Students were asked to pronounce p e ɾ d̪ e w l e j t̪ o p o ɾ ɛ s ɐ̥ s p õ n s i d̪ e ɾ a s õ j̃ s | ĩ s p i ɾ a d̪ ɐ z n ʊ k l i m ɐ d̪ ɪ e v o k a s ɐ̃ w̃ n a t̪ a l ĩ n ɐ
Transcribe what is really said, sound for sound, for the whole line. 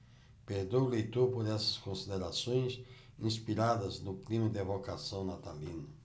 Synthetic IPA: p e ɾ d̪ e w l e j t̪ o p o ɾ ɛ s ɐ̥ s k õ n s i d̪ e ɾ a s õ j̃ s | ĩ s p i ɾ a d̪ ɐ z n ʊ k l i m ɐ d̪ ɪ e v o k a s ɐ̃ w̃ n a t̪ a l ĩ n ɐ